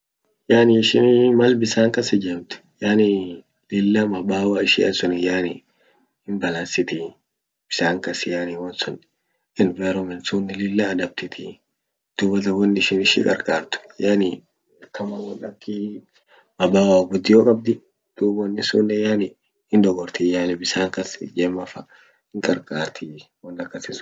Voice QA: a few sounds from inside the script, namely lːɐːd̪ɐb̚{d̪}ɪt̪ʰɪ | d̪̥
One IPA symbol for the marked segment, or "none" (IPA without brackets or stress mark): t̪